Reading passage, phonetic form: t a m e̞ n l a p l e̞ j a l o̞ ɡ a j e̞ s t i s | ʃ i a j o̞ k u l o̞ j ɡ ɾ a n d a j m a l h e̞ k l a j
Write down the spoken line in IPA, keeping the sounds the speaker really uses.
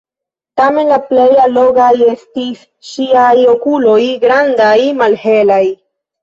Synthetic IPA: t a m e̞ n l a p l e̞ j a l o̞ ɡ a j e̞ s t i s | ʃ i a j o̞ k u l o̞ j ɡ ɾ a n d a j m a l h e̞ l a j